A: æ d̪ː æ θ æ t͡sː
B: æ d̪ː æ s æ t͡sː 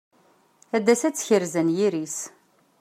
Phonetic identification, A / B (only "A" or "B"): B